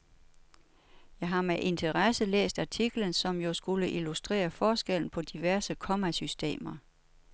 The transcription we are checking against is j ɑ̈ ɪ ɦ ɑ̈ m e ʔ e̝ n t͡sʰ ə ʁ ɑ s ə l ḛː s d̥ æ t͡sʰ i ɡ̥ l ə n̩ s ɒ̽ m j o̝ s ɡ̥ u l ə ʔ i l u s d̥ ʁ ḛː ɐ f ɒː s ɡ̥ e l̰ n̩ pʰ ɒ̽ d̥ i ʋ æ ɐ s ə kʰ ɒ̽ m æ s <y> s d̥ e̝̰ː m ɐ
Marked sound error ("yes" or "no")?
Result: no